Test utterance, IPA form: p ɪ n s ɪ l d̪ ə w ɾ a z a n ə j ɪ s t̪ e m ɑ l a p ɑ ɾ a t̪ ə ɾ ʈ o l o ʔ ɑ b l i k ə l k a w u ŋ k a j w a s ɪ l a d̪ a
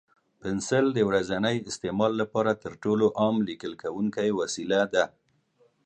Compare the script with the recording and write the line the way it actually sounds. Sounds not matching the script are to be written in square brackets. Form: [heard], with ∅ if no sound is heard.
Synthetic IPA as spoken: p ɪ n s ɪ l d̪ ə w ɾ a z a n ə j ɪ s t̪ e m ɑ [lː] a p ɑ ɾ a t̪ ə ɾ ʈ o l o ʔ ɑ [m] l i k ə l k a w u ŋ k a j w a s [i] l a d̪ a